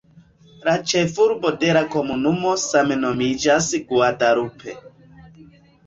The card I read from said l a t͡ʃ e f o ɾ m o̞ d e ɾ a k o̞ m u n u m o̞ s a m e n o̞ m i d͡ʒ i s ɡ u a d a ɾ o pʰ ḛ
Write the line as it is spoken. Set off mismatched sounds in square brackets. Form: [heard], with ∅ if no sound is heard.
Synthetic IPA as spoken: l a t͡ʃ e f [u] ɾ [b] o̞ d e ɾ a k o̞ m u n u m o̞ s a m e n o̞ m i d͡ʒ [a] s ɡ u a d a ɾ [u] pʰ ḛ